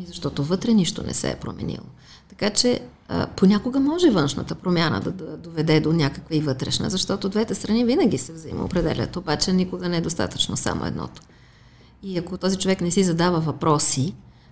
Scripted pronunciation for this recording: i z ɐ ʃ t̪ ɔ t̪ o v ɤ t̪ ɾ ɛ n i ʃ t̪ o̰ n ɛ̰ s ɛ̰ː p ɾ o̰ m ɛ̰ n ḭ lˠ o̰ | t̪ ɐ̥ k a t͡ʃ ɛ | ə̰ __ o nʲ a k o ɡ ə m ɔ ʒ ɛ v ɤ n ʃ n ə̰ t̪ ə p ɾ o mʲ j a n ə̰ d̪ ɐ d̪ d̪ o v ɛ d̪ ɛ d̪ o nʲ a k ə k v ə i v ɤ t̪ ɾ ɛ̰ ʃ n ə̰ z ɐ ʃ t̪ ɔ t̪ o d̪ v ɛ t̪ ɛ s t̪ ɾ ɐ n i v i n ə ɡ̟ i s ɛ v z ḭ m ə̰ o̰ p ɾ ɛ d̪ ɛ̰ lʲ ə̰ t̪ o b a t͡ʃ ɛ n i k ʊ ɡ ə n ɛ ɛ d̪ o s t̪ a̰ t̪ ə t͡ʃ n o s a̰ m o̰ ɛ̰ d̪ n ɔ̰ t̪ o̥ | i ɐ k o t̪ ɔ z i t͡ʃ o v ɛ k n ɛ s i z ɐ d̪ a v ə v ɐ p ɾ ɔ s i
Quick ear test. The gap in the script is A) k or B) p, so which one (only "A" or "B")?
B